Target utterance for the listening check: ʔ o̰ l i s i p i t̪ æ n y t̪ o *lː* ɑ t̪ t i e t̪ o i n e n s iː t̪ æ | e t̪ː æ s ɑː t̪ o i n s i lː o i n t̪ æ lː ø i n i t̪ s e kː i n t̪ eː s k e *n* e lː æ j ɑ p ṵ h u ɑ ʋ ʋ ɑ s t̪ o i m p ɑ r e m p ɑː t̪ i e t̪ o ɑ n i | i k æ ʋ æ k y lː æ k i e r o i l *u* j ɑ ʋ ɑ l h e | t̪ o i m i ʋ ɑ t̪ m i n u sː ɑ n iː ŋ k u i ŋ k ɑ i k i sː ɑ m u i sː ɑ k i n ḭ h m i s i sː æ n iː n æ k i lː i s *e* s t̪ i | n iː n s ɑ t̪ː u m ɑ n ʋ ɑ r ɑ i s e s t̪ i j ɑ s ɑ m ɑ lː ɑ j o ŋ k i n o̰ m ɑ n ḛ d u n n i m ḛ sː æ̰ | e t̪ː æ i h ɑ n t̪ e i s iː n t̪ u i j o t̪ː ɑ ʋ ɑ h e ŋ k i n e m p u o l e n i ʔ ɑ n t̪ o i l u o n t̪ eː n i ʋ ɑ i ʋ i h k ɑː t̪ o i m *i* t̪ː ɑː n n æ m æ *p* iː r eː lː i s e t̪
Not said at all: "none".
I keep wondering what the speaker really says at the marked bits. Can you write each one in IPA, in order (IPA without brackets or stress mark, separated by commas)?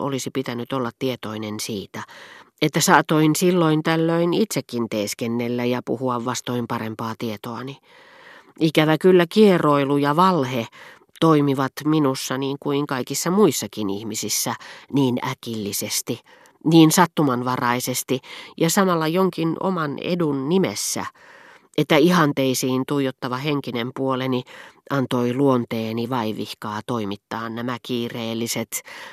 lː, nː, u, e, i, k